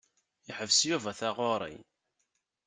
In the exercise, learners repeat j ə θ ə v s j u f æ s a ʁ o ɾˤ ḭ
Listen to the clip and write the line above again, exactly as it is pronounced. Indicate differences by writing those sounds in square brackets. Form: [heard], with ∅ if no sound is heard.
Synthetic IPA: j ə [ħ] ə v s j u [v] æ [θ] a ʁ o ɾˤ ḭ